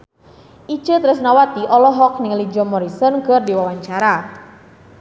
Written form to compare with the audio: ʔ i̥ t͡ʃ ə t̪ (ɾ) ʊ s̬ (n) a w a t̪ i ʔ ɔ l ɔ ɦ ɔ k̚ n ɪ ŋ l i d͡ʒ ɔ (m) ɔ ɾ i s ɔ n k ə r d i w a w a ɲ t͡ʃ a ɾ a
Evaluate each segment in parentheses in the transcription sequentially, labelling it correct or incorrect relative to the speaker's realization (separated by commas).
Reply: correct, correct, correct